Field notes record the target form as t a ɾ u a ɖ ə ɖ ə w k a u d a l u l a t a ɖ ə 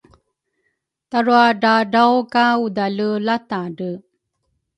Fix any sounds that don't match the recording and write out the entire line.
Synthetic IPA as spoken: t a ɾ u a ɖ a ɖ a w k a u d a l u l a t a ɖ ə